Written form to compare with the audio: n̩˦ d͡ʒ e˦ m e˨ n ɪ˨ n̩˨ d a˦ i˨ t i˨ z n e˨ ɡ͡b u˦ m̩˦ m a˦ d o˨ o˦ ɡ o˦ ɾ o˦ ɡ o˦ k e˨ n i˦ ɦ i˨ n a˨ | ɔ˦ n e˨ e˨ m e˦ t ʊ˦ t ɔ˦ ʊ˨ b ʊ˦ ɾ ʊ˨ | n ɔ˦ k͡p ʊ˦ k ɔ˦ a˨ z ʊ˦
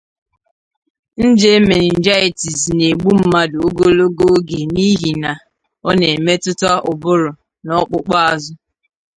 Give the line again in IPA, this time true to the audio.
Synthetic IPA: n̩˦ d͡ʒ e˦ m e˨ n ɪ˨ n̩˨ d͡ʒ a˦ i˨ t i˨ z n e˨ ɡ͡b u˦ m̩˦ m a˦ d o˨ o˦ ɡ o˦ l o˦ ɡ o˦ ɡ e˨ n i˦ ɦ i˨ n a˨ | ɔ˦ n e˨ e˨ m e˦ t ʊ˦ t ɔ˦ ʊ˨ b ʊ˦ ɾ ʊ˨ | n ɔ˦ k͡p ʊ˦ k͡p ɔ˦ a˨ z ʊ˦